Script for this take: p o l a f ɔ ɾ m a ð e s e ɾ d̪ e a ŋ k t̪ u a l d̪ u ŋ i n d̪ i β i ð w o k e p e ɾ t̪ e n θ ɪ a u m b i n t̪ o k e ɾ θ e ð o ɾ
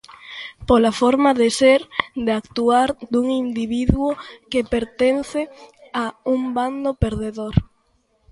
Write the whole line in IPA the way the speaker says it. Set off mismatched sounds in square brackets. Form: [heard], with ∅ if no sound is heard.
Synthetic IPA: p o l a f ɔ ɾ m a ð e s e ɾ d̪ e a [∅] k t̪ u a [ɾ] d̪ u ŋ i n d̪ i β i ð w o k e p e ɾ t̪ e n θ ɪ a u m b [a] n [d̪] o [p] e ɾ [ð] e ð o ɾ